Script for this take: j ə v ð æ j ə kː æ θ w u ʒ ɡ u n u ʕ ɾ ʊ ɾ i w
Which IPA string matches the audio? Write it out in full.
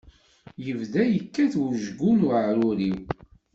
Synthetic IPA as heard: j ə v ð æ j ə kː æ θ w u ʒ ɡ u n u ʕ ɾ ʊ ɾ i w